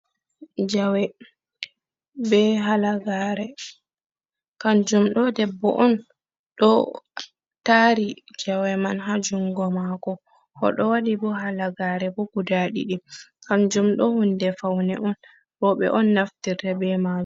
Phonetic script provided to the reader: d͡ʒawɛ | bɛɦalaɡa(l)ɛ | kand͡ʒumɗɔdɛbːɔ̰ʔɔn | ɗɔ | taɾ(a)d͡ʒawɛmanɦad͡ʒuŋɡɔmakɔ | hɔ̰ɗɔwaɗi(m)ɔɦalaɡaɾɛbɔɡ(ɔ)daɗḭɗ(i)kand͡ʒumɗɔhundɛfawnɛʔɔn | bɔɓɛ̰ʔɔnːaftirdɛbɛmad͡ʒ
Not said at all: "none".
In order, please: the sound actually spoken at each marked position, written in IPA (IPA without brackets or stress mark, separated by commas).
ɾ, i, b, u, i